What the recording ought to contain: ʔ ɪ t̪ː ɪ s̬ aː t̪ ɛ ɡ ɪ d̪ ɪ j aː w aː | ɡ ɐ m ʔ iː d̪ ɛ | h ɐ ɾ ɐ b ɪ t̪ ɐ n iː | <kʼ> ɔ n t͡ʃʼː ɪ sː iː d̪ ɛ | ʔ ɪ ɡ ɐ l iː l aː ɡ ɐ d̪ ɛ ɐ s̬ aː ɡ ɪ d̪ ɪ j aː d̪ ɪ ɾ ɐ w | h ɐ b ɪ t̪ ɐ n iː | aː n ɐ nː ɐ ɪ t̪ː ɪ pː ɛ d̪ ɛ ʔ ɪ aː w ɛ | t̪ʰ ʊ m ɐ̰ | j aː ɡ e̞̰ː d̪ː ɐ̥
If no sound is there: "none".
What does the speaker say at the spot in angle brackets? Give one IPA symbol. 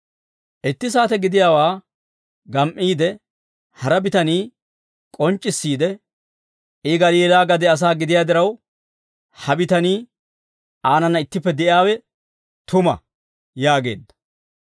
kʼ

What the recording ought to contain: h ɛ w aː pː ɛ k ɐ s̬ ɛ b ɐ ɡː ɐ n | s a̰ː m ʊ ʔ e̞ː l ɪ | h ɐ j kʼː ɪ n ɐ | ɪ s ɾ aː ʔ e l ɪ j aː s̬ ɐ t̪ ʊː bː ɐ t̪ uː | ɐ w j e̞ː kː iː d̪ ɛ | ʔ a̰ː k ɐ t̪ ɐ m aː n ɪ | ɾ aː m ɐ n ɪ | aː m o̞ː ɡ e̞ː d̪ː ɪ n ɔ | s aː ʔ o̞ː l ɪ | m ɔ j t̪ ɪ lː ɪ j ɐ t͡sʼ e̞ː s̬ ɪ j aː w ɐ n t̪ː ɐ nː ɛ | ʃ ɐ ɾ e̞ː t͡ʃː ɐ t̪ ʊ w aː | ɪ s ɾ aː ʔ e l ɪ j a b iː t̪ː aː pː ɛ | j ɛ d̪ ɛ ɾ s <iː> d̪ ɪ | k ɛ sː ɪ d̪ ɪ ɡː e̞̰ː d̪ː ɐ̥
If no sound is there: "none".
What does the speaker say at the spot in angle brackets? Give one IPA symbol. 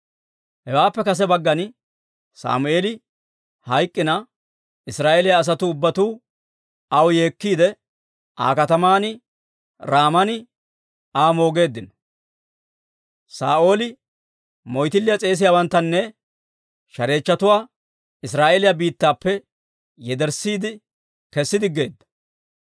iː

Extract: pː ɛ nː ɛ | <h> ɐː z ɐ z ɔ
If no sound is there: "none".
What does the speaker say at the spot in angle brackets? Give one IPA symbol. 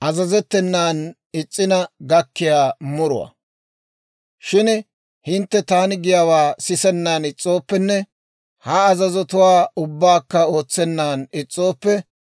h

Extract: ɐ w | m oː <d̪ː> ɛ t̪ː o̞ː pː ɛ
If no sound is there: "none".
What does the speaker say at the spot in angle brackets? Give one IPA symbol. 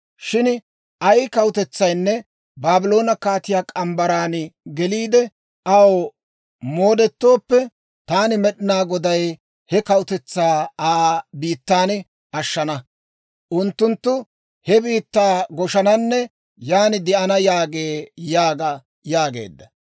d̪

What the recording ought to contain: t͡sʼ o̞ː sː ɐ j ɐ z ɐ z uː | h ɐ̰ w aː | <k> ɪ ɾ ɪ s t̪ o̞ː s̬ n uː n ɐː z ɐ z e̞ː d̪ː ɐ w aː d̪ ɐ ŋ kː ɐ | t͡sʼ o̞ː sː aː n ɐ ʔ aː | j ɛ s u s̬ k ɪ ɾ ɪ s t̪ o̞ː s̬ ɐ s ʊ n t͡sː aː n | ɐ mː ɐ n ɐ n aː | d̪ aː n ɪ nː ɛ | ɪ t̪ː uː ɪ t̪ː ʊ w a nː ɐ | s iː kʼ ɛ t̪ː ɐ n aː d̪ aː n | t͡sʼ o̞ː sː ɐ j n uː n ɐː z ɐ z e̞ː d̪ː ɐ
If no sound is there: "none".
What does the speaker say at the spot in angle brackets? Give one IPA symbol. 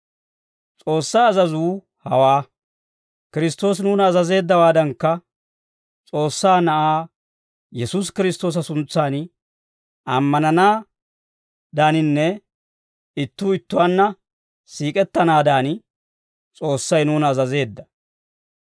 k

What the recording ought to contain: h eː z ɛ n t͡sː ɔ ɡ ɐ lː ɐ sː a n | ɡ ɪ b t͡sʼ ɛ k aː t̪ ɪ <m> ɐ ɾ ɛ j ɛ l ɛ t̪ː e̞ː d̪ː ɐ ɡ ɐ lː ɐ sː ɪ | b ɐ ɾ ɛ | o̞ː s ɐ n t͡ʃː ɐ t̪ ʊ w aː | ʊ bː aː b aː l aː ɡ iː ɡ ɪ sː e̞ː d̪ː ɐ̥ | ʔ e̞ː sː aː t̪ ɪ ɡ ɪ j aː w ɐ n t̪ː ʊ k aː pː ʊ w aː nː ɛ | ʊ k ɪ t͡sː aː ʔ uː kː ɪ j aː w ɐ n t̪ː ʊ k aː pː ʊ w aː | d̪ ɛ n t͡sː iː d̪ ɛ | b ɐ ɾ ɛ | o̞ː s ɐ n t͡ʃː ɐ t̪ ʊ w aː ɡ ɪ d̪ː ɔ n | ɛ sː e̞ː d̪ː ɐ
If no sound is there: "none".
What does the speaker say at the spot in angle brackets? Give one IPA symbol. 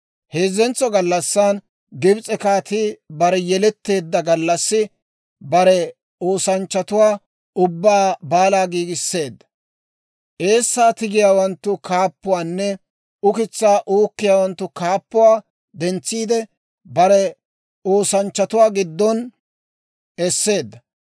b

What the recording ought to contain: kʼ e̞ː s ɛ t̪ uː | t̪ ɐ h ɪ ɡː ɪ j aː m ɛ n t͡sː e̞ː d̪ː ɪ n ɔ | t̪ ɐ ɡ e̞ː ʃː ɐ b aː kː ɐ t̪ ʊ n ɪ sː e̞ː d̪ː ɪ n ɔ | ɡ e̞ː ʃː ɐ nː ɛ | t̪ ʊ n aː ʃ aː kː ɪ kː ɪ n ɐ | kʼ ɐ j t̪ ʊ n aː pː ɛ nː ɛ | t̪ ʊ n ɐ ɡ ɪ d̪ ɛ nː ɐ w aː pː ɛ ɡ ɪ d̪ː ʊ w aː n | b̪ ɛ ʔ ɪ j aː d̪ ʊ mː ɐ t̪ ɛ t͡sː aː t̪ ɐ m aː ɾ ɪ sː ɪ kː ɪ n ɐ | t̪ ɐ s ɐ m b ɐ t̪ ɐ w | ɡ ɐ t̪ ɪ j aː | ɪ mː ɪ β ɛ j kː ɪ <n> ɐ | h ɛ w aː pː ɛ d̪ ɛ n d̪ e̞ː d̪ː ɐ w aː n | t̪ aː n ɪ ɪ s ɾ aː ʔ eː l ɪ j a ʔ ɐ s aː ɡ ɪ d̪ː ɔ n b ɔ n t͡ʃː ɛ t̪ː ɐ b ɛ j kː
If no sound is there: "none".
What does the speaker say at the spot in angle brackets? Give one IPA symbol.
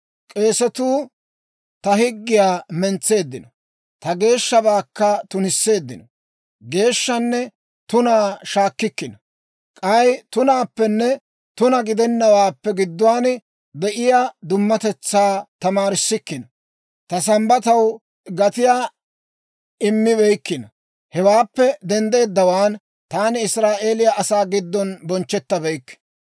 n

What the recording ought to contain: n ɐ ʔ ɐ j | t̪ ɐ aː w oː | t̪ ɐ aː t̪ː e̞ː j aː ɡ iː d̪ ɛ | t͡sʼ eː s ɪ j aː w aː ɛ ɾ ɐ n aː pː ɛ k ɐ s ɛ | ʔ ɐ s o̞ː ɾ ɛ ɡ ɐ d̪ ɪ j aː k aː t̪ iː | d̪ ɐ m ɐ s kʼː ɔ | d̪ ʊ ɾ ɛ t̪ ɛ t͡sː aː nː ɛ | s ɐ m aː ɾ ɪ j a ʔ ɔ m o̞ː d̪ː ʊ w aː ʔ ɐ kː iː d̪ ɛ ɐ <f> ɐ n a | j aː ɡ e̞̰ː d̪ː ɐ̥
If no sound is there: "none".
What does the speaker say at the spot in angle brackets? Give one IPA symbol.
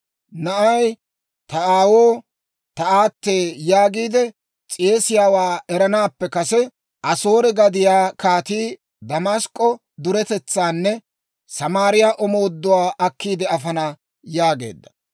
f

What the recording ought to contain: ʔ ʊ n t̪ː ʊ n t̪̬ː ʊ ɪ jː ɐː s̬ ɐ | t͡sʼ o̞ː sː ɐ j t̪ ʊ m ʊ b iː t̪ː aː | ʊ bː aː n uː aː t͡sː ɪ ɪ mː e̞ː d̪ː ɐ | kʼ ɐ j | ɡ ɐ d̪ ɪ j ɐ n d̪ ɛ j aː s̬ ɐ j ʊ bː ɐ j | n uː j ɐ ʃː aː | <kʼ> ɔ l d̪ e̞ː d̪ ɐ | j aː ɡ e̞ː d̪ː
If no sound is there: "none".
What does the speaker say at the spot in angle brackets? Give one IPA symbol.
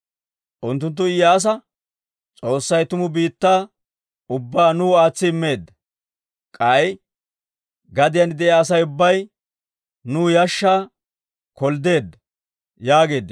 k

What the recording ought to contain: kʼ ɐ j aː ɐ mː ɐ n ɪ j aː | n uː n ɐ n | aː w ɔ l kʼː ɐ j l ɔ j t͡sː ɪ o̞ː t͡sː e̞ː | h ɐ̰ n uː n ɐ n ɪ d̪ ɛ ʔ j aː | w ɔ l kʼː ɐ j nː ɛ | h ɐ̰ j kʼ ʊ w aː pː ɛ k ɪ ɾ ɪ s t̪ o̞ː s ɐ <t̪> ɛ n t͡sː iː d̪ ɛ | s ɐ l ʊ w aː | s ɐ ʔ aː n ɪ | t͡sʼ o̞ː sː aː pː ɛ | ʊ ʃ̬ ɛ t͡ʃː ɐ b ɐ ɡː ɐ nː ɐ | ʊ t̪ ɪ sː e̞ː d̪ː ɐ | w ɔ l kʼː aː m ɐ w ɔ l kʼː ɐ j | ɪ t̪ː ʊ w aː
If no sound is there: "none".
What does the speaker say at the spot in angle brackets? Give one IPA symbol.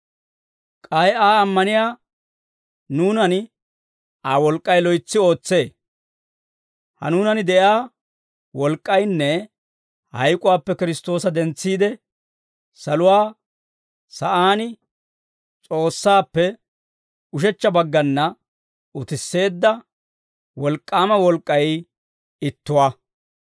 d̪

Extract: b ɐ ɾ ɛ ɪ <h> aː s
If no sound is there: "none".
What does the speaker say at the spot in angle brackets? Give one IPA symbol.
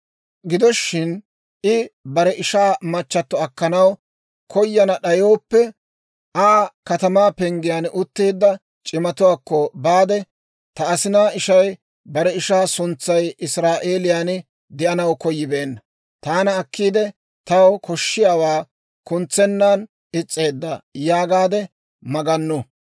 ʃ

